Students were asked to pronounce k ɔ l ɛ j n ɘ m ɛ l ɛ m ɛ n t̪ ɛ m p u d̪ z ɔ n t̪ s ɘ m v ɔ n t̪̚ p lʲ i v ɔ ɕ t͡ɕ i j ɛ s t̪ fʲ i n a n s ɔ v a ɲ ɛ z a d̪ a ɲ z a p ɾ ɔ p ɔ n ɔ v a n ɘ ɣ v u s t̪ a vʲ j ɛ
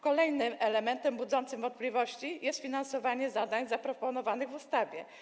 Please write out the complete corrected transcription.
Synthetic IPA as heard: k ɔ l ɛ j n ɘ m ɛ l ɛ m ɛ n t̪ ɛ m b u d̪ z ɔ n t̪ s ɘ m v ɔ n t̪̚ p lʲ i v ɔ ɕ t͡ɕ i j ɛ s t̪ fʲ i n a n s ɔ v a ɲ ɛ z a d̪ a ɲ z a p ɾ ɔ p ɔ n ɔ v a n ɘ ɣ v u s t̪ a vʲ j ɛ